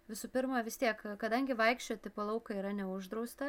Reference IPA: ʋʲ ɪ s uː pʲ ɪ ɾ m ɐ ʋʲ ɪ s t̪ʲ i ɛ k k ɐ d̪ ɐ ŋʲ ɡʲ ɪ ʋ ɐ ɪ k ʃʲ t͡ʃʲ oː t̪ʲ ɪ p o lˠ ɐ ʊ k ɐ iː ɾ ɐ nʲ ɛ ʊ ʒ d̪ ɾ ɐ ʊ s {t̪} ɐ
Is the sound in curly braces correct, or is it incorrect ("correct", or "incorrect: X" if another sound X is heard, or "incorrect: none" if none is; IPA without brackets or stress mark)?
correct